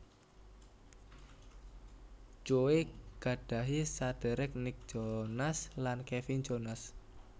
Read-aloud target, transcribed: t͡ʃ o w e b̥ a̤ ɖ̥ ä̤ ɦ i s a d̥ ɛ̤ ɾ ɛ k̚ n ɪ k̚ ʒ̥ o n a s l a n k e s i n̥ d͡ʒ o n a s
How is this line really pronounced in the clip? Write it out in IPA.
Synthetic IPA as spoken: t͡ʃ o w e ɡ̥ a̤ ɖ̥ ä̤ ɦ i s a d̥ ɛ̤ ɾ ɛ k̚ n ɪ k̚ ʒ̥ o n a s l a n k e f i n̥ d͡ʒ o n a s